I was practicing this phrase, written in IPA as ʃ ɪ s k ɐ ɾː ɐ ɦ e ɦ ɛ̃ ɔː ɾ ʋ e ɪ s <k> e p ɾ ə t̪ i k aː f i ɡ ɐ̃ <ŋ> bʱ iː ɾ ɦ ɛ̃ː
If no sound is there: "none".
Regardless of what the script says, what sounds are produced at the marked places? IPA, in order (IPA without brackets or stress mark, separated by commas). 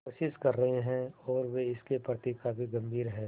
k, m